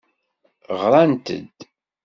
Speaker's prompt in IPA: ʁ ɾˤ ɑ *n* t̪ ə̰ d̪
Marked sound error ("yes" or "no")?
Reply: no